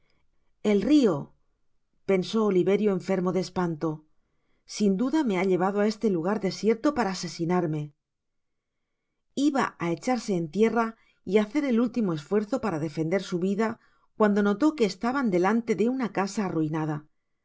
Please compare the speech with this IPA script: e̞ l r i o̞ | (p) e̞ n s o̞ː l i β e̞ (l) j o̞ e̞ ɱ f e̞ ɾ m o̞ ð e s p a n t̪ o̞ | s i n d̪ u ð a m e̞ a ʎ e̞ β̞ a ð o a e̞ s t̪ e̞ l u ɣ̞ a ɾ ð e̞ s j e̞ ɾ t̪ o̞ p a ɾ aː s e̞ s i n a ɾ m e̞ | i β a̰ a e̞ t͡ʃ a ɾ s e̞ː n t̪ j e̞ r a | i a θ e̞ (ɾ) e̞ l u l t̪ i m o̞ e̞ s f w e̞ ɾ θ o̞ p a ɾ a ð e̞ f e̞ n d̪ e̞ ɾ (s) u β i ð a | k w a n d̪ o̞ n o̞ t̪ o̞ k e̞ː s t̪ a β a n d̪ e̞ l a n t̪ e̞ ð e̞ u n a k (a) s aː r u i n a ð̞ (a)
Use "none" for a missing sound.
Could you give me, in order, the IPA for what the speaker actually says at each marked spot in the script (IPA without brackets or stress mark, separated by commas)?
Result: p, ɾ, ɾ, s, a, a